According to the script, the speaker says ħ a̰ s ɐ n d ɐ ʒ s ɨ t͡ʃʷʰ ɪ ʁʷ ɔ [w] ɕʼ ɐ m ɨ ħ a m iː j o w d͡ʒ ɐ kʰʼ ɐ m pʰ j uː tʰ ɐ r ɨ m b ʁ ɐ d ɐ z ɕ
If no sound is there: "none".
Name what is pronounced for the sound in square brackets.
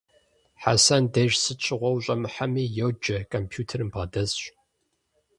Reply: w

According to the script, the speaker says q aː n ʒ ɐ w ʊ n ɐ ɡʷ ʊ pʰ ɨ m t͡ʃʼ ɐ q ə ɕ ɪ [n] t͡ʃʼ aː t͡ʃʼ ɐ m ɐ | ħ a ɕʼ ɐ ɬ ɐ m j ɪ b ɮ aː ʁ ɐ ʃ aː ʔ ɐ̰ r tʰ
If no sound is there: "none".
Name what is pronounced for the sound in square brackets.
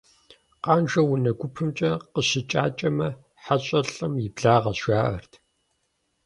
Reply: none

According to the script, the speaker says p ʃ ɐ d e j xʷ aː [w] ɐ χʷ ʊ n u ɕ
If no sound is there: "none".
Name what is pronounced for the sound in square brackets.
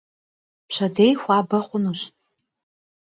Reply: b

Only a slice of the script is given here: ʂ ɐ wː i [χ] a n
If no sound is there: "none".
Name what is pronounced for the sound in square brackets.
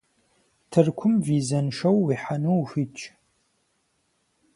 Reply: ħ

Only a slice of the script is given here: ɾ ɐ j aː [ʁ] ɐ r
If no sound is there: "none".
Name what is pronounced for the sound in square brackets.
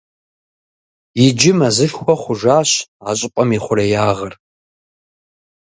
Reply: ʁ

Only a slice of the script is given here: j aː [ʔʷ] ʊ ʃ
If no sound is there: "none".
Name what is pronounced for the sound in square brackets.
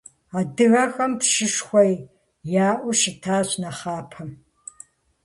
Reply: ʔʷ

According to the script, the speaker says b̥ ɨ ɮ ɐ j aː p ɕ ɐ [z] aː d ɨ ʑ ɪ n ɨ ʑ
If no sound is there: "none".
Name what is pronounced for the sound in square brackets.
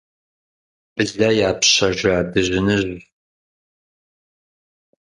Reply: ʒ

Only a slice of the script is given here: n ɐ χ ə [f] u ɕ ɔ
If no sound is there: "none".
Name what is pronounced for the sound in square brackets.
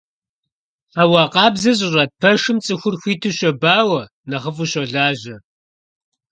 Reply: f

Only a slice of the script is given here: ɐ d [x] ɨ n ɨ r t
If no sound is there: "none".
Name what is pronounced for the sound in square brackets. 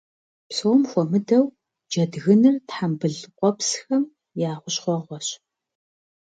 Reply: ɣ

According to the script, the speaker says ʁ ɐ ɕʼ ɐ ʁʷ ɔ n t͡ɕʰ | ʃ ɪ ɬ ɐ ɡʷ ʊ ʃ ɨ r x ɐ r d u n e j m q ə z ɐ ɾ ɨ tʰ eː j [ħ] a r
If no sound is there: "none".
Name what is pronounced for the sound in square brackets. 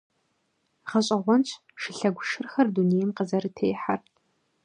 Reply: ħ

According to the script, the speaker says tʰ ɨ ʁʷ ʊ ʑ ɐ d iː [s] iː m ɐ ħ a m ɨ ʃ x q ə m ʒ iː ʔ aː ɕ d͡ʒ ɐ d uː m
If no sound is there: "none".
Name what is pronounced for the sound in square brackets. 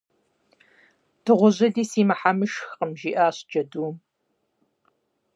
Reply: s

